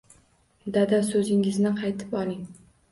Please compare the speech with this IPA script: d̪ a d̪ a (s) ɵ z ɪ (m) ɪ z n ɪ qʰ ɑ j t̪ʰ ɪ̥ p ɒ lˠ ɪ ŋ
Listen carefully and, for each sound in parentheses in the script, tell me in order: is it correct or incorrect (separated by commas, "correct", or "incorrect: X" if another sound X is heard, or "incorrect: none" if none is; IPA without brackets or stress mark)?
correct, incorrect: ŋ